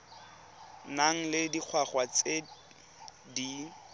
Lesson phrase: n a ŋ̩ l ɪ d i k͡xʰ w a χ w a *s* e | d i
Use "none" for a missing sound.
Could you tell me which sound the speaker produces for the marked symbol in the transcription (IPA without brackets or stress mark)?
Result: t͡s